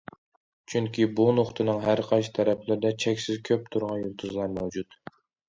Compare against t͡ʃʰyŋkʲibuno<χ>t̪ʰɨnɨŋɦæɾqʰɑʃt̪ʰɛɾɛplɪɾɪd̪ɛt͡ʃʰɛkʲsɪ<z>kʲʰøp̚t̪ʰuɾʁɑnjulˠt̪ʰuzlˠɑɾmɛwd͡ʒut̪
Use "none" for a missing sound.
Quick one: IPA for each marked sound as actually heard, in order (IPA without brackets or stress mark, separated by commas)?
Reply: χ, z